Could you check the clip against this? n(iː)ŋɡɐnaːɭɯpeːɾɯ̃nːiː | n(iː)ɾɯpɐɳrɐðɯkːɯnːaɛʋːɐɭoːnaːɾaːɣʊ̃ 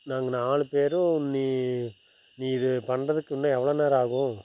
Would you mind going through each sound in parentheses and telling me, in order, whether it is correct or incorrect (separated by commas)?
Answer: incorrect, correct